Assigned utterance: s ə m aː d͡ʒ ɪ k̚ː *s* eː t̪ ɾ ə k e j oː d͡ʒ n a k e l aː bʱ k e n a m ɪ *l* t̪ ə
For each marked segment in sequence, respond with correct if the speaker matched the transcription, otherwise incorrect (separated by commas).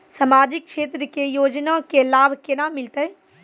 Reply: incorrect, correct